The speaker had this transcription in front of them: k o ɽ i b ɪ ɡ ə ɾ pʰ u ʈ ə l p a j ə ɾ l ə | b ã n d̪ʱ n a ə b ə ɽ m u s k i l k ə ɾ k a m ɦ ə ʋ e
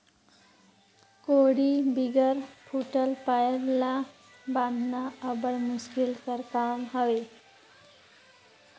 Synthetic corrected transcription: k o ɽ i b i ɡ ə ɾ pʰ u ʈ ə l p a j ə ɾ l a | b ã n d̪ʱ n a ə b ə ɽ m u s k i l k ə ɾ k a m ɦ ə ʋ e